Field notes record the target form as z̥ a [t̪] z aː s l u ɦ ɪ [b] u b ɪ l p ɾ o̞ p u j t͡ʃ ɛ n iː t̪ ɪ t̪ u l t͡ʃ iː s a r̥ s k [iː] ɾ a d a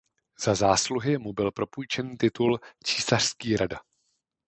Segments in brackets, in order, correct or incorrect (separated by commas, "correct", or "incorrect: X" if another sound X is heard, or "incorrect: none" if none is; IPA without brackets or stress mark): incorrect: none, incorrect: m, correct